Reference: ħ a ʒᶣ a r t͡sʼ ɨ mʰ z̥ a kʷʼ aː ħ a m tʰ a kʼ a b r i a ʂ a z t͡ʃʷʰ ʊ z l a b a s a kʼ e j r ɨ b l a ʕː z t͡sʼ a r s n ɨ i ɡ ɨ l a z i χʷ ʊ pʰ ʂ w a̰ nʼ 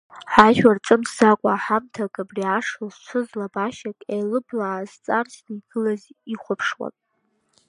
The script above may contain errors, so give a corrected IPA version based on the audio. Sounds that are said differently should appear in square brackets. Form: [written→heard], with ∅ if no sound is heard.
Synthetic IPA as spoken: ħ a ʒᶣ a r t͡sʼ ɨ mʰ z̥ a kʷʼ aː ħ a m tʰ a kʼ a b r i a ʂ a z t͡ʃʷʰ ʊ z l a b a [s→ʃ] a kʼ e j [r→l] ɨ b l a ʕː z t͡sʼ a r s n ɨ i ɡ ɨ l a z i χʷ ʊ pʰ ʂ w a̰ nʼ